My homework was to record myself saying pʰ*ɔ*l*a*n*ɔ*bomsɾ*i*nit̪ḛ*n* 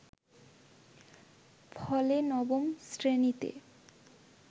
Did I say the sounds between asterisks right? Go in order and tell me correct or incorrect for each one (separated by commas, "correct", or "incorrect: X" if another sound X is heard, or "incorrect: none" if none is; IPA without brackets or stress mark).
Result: correct, incorrect: e, correct, incorrect: e, incorrect: none